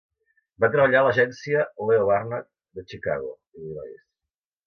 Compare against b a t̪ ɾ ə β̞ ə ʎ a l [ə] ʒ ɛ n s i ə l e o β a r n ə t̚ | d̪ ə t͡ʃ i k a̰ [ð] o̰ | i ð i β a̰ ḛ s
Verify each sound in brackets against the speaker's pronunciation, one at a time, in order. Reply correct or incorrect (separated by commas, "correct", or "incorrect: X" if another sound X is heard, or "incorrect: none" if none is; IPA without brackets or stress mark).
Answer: correct, incorrect: ɣ